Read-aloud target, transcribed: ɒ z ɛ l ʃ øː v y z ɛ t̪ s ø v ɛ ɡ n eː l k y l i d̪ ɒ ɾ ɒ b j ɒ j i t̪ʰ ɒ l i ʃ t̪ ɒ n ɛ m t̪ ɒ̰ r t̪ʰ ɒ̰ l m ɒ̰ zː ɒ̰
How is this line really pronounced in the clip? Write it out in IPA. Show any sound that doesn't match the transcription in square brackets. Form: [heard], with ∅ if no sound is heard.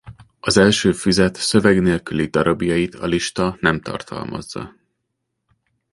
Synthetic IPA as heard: ɒ z ɛ l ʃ øː [f] y z ɛ t̪ s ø v ɛ ɡ n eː l k y l i d̪ ɒ ɾ ɒ b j ɒ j i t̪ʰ ɒ l i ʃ t̪ ɒ n ɛ m t̪ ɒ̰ r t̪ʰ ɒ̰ l m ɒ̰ zː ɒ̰